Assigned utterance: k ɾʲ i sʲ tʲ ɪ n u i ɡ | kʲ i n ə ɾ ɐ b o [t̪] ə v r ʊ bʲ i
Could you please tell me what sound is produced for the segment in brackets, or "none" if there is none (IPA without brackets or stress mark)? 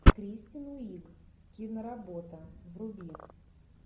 t̪